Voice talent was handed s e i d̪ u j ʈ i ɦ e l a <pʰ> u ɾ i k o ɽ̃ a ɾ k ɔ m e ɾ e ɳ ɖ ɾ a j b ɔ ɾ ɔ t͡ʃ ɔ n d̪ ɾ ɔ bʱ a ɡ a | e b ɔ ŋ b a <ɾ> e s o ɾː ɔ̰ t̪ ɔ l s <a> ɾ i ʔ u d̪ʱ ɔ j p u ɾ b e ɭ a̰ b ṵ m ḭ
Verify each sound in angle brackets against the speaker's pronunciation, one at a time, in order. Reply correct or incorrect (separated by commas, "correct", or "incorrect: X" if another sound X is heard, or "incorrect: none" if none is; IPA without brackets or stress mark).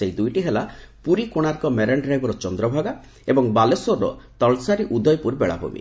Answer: incorrect: p, incorrect: l, correct